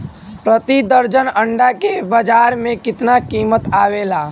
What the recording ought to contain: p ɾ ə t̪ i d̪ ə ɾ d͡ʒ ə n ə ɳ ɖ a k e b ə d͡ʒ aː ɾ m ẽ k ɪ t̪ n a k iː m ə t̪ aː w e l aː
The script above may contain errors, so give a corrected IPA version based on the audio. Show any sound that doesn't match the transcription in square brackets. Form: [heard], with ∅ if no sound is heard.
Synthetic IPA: p ɾ ə t̪ i d̪ ə ɾ d͡ʒ ə n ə ɳ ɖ a k e b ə d͡ʒ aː ɾ m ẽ k ɪ t̪ n a k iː m ə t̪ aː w e l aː